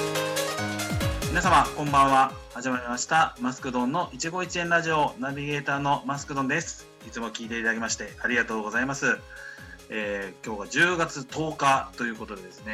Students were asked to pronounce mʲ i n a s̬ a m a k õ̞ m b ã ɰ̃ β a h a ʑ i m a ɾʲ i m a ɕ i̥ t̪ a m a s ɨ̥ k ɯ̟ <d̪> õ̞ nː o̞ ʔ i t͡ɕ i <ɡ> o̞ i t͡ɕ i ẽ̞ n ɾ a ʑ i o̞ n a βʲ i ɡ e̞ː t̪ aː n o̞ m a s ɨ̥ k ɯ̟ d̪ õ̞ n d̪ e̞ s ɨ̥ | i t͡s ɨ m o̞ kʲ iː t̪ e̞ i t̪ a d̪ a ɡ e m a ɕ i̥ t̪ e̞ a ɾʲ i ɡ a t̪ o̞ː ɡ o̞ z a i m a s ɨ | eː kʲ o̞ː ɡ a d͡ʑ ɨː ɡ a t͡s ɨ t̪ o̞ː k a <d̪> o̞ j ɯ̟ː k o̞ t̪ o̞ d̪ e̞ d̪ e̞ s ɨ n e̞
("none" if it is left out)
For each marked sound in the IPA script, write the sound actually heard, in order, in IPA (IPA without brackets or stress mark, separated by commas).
d̪, ɡ, t̪